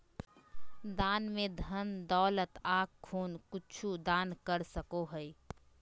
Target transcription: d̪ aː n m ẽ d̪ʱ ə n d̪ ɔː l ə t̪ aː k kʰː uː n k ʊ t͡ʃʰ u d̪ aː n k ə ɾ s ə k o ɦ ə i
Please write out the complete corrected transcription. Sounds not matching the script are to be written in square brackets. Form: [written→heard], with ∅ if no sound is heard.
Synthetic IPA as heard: d̪ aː n m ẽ d̪ʱ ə n d̪ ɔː l ə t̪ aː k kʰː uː n k ʊ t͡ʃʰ u d̪ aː n k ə ɾ s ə k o ɦ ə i